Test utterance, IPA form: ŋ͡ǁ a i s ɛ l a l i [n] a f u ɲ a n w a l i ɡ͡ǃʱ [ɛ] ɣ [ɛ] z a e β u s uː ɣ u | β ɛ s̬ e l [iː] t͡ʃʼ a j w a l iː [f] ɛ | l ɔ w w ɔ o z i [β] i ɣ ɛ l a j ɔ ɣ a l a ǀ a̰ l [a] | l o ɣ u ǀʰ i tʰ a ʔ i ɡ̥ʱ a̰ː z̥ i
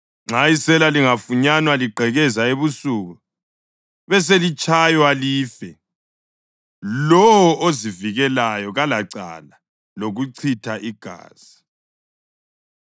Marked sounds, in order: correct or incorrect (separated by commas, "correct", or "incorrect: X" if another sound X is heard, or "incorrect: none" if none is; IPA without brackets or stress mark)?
incorrect: ŋ, correct, correct, incorrect: i, correct, incorrect: v, correct